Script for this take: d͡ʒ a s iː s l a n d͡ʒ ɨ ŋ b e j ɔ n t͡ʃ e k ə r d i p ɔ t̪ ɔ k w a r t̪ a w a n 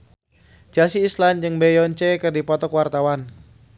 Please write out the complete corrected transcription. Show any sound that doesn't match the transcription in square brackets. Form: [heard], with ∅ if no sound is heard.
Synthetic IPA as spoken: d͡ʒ a s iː s l a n d͡ʒ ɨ ŋ b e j ɔ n t͡ʃ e k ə r d i p ɔ t̪ ɔ k w a r t̪ a w a n